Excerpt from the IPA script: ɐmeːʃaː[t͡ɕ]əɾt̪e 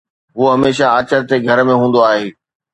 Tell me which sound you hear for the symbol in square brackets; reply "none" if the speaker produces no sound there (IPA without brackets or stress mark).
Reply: t͡ɕ